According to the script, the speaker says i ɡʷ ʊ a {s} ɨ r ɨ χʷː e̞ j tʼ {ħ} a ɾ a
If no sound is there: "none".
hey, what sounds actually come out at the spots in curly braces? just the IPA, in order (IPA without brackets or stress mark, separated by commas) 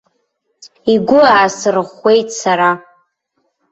s, s